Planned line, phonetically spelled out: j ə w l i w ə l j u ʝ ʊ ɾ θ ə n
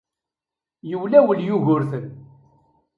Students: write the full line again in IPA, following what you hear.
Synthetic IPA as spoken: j ə w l æ w ə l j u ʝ ʊ ɾ θ ə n